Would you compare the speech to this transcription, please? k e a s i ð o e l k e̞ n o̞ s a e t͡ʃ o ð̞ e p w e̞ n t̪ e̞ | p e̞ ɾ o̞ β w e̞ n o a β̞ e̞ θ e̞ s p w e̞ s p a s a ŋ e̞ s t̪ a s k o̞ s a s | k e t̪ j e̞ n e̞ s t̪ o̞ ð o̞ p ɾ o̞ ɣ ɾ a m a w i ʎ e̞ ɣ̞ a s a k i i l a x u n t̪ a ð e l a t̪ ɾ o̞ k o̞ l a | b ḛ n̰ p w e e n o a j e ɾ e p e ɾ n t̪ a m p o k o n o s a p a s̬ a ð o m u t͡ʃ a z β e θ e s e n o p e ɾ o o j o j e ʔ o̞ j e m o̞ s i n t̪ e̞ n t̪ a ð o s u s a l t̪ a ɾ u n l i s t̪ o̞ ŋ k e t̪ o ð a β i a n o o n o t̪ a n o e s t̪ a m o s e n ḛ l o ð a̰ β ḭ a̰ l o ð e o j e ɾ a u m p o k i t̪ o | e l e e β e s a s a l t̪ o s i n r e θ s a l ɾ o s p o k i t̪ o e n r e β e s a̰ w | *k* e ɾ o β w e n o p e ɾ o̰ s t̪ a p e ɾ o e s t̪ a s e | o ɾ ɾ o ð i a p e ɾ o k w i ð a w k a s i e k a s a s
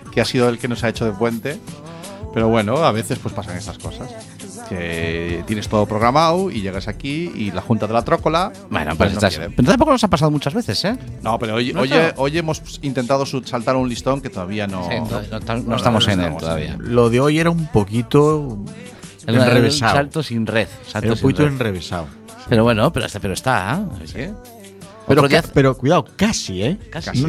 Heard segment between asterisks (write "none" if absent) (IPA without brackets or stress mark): p